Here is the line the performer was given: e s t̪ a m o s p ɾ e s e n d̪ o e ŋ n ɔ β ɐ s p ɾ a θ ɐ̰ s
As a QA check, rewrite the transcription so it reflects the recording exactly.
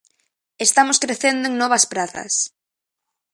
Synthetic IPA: e s t̪ a m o s k ɾ e θ e n d̪ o e ŋ n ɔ β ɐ s p ɾ a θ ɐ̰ s